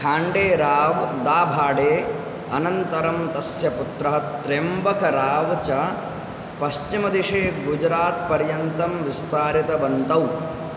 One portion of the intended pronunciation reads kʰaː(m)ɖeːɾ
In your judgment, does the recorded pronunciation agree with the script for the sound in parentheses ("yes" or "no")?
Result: no